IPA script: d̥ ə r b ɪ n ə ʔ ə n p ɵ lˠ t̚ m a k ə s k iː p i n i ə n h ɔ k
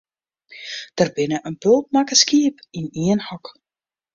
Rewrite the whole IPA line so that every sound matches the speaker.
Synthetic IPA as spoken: d̥ ə r b ɪ n ə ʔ ə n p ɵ lˠ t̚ m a k ə s k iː p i n i ə n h ɔ k